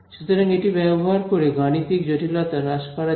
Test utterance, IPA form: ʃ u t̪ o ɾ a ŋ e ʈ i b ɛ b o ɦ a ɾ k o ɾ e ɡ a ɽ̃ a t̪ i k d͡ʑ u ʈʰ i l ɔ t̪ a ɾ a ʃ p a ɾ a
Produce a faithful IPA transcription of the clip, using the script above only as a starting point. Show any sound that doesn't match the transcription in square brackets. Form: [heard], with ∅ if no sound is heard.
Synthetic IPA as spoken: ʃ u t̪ o ɾ a ŋ e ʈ i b ɛ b o ɦ a ɾ k o ɾ e ɡ a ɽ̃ [i] t̪ i k d͡ʑ [o] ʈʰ i l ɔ t̪ a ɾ a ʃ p a ɾ a